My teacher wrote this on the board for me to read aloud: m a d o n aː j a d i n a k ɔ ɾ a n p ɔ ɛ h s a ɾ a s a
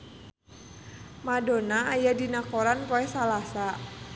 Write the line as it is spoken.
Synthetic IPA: m a d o n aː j a d i n a k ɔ ɾ a n p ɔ ɛ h s a l a s a